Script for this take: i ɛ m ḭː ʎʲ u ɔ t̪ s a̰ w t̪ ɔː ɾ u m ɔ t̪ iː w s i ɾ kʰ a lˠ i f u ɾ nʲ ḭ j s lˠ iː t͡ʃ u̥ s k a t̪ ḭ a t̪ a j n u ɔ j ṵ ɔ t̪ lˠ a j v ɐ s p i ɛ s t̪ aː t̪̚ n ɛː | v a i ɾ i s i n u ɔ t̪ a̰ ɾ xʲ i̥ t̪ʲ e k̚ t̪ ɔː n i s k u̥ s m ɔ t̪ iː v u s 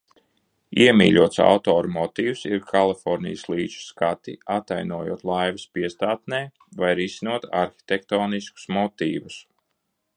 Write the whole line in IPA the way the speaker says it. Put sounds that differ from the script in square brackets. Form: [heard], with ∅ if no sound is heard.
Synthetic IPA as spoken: i ɛ m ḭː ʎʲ u ɔ t̪ s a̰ w t̪ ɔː ɾ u m ɔ t̪ iː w s i ɾ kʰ a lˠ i f [ɔ] ɾ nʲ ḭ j s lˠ iː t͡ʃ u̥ s k a t̪ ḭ a t̪ a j n u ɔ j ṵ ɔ t̪ lˠ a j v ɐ s p i ɛ s t̪ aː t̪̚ n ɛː | v a [j] ɾ i s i n u ɔ t̪ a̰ ɾ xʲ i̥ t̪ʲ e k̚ t̪ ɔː n i s k u̥ s m ɔ t̪ iː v u s